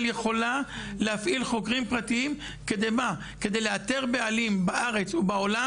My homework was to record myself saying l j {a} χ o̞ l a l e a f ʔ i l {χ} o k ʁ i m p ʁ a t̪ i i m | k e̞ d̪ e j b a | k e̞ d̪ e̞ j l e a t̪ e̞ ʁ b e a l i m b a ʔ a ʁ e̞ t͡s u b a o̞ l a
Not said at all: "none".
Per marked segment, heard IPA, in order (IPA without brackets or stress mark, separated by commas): e, χ